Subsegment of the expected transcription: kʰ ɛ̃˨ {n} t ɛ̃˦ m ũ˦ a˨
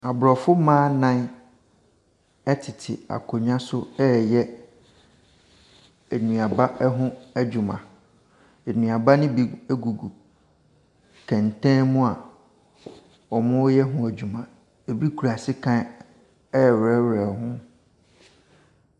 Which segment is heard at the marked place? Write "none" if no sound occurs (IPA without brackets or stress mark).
n